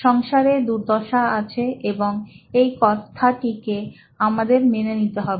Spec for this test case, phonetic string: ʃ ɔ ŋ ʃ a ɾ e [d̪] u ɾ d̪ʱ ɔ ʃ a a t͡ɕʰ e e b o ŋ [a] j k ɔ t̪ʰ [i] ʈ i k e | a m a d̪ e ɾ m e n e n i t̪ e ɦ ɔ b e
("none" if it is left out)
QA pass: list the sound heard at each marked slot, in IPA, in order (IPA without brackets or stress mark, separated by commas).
d̪, e, a